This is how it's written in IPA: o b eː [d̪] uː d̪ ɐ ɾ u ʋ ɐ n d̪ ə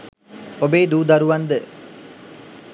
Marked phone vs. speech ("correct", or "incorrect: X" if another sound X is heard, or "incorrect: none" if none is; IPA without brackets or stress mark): correct